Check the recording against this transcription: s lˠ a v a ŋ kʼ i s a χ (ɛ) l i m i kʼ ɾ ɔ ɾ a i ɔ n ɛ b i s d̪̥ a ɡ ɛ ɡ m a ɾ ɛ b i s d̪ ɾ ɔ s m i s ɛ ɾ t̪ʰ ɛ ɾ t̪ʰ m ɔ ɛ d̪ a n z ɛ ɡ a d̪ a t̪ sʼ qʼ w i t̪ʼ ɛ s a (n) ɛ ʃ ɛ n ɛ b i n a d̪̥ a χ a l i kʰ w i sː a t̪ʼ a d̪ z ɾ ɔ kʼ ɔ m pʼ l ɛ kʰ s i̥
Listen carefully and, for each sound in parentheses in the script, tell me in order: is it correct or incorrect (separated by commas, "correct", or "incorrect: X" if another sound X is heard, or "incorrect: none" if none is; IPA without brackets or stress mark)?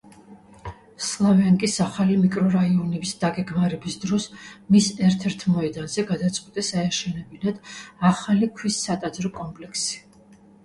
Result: incorrect: a, incorrect: none